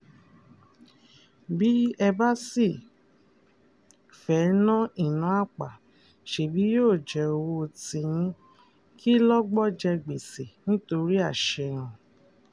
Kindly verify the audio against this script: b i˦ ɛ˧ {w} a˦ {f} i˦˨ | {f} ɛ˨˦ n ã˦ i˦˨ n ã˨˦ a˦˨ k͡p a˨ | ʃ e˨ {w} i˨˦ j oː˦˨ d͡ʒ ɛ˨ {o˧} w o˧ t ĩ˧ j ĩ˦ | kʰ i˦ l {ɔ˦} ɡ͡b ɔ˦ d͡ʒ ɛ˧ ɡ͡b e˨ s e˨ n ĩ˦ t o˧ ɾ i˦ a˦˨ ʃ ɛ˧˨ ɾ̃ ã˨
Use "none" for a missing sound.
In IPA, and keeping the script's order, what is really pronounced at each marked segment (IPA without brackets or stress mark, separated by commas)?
b, s, f, b, o˧, ɔ˦